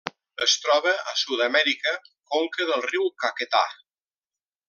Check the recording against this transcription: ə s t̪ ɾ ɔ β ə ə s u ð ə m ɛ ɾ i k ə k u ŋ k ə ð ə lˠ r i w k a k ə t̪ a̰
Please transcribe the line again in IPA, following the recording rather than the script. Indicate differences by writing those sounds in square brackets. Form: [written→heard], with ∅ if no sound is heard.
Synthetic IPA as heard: ə s t̪ ɾ ɔ β ə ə s u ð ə m ɛ ɾ i k ə k [u→o] ŋ k ə ð ə lˠ r i w k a k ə t̪ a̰